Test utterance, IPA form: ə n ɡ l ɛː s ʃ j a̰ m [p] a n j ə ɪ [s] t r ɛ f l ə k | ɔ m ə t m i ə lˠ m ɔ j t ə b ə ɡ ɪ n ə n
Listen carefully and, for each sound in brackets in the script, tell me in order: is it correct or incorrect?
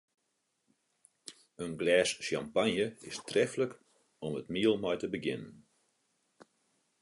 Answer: correct, correct

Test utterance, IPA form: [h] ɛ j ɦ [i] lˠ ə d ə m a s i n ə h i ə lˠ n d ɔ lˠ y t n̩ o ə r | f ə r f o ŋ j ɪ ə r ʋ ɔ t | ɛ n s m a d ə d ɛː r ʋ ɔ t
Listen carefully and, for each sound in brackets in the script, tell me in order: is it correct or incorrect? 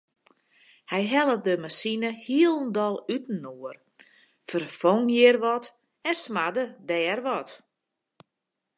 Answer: correct, incorrect

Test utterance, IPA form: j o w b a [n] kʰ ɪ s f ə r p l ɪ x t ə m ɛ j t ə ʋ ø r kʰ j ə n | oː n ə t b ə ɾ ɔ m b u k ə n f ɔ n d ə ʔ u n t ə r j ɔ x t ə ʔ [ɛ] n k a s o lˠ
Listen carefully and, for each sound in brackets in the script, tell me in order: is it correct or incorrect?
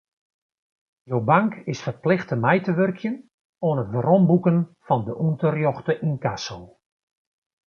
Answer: incorrect, incorrect

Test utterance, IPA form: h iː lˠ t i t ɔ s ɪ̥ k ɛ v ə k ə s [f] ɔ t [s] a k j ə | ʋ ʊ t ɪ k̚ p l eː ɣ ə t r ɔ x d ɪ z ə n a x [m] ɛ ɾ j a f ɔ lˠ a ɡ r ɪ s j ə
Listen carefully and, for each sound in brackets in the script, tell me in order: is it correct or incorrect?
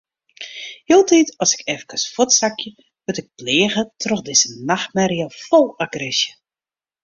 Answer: correct, correct, correct

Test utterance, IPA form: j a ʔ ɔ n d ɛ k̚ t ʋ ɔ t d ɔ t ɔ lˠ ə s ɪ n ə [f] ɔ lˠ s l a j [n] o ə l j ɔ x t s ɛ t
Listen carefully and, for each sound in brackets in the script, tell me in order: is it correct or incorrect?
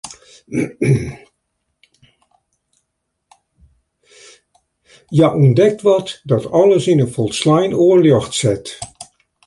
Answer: correct, correct

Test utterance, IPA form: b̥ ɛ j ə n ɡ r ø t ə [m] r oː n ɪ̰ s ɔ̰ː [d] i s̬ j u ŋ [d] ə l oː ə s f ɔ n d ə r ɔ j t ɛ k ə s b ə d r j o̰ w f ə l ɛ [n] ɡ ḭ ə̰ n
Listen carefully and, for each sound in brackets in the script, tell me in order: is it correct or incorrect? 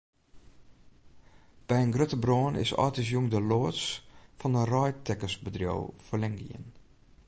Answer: incorrect, incorrect, correct, incorrect

